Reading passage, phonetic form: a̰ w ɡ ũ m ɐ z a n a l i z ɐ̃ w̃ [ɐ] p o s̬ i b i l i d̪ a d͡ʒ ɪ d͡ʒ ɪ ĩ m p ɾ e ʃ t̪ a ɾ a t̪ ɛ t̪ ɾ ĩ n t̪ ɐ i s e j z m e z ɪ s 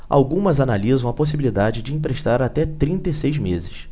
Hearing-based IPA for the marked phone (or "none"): ɐ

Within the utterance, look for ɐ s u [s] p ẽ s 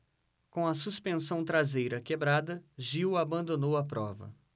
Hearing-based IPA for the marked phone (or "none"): s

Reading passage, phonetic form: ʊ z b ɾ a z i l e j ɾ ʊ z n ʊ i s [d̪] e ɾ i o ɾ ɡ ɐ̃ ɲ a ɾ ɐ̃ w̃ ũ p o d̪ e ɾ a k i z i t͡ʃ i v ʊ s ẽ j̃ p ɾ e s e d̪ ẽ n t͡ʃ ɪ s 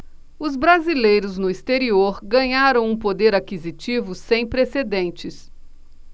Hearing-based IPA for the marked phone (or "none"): t̪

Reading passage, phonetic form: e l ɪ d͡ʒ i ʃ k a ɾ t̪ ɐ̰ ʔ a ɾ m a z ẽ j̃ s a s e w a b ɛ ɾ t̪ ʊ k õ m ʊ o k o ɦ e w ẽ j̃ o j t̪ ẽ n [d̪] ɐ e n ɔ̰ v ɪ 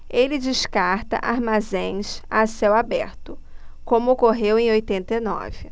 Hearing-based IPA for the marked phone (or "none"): t̪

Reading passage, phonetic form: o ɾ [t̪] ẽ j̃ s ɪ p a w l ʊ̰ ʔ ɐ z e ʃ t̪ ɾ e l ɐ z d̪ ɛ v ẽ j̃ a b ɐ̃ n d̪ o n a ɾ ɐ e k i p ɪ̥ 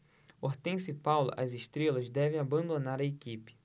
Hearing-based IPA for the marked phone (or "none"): t̪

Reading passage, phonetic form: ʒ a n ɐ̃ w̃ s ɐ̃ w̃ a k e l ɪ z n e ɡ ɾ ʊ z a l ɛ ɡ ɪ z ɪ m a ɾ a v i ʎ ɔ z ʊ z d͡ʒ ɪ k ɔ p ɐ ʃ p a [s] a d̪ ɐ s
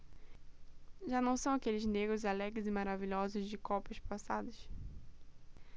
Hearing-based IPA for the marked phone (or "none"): s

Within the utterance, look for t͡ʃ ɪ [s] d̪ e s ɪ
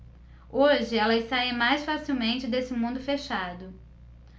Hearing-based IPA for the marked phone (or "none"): none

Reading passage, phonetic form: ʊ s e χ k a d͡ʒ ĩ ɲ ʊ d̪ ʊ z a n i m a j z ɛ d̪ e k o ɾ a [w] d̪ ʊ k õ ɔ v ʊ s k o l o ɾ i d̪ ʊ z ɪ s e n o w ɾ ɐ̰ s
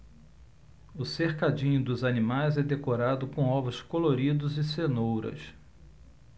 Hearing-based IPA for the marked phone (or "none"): none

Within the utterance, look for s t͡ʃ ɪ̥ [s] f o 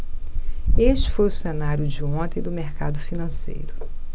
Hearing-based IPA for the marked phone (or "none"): none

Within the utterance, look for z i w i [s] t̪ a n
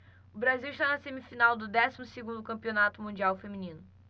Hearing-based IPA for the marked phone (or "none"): ʃ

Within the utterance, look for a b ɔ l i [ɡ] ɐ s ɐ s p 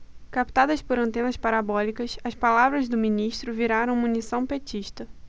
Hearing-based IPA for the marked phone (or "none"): k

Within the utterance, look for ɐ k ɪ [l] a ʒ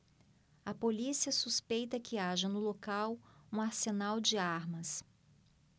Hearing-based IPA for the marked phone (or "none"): none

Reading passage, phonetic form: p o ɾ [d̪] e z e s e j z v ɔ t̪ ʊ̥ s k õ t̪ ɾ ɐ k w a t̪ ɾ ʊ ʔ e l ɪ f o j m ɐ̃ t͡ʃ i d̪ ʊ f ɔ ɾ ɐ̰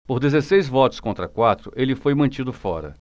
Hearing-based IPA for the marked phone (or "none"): d̪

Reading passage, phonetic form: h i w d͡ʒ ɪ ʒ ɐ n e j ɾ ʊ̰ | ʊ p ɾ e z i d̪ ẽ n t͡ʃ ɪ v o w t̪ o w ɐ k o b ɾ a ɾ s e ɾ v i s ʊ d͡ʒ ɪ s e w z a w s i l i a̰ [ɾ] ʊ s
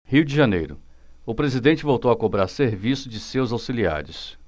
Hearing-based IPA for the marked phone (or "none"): ɾ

